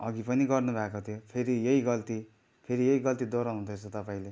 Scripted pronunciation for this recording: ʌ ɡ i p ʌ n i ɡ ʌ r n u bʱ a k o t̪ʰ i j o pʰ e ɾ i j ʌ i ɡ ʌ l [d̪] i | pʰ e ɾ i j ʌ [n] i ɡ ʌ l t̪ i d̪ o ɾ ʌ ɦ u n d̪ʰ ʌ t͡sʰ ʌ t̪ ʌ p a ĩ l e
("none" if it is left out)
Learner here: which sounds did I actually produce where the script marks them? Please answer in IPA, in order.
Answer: t̪, none

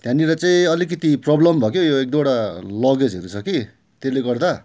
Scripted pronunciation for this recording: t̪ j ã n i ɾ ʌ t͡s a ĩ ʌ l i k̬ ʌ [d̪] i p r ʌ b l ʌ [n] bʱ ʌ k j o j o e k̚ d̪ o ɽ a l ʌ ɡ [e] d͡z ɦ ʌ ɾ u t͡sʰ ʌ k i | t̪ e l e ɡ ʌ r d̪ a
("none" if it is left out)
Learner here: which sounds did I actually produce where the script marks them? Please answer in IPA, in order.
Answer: t̪, m, e

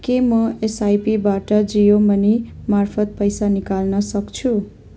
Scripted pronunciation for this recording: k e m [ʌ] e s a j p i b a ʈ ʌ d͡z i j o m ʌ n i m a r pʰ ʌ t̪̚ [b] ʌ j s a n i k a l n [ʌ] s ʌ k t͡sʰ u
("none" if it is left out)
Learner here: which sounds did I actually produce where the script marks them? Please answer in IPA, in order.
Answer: ʌ, p, ʌ

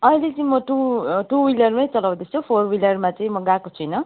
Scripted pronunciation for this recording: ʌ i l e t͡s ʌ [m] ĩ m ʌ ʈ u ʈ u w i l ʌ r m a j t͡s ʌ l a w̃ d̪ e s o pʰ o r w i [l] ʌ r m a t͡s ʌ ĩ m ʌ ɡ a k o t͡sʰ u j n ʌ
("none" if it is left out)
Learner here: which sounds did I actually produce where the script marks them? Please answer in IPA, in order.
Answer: none, l

